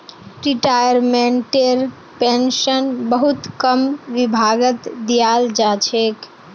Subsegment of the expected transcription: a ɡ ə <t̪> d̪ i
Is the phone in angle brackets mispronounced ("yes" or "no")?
no